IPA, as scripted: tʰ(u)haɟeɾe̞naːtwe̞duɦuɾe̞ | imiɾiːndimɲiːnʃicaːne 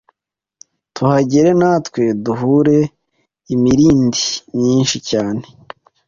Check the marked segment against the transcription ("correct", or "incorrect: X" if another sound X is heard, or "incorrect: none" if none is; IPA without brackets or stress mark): correct